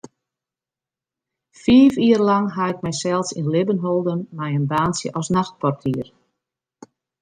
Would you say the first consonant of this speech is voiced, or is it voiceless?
voiceless